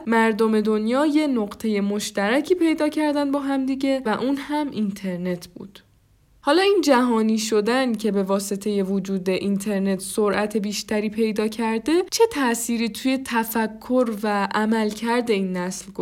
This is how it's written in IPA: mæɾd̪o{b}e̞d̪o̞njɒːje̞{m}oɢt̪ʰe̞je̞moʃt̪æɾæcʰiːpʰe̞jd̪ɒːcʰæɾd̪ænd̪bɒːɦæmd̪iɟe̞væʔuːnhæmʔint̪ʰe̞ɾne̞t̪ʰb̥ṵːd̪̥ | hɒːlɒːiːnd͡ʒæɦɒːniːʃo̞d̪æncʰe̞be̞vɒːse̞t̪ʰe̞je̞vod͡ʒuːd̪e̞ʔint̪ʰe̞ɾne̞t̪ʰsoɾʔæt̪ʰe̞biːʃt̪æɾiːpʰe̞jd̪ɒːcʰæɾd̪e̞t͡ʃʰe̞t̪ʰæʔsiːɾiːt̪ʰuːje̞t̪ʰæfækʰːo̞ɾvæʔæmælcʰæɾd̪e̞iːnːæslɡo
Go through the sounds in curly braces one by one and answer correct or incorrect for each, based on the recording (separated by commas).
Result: incorrect, incorrect